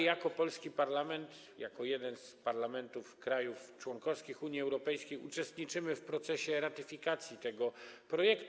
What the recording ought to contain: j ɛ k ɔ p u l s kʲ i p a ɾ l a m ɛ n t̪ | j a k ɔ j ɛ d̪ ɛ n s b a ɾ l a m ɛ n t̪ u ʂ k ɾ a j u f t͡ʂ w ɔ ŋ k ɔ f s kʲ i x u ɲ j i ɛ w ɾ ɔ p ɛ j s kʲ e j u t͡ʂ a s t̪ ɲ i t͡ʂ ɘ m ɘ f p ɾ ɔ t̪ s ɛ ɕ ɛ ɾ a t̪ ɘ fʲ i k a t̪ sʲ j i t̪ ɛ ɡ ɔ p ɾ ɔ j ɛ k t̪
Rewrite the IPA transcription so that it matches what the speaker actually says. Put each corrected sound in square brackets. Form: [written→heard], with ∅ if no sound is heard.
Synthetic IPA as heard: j [ɛ→a] k ɔ p [u→ɔ] l s kʲ i p a ɾ l a m ɛ n t̪ | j a k ɔ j ɛ d̪ ɛ n s [b→p] a ɾ l a m ɛ n t̪ u [ʂ→f] k ɾ a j u f t͡ʂ w ɔ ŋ k ɔ f s kʲ i x u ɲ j i ɛ w ɾ ɔ p ɛ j s kʲ e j u t͡ʂ [a→ɛ] s t̪ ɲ i t͡ʂ ɘ m ɘ f p ɾ ɔ t̪ s ɛ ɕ ɛ ɾ a t̪ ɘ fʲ i k a t̪ sʲ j i t̪ ɛ ɡ ɔ p ɾ ɔ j ɛ k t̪